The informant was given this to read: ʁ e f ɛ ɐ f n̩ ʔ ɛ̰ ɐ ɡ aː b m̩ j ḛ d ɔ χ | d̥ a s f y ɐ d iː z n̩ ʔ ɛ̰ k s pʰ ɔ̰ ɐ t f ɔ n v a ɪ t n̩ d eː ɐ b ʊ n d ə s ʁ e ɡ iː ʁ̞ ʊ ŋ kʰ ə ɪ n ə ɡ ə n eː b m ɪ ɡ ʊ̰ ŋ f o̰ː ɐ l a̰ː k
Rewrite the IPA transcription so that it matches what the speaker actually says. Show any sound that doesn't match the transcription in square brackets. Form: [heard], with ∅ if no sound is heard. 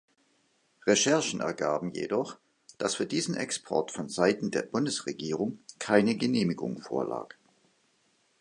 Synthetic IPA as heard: ʁ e [ʃ] ɛ ɐ [ʃ] n̩ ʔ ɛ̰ ɐ ɡ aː b m̩ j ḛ d ɔ χ | d̥ a s f [yː] ɐ d iː z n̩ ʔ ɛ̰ k s pʰ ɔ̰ ɐ t f ɔ n [z] a ɪ t n̩ d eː ɐ b ʊ n d ə s ʁ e ɡ iː ʁ̞ ʊ ŋ kʰ [a] ɪ n ə ɡ ə n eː [∅] m ɪ ɡ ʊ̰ ŋ f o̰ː ɐ l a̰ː k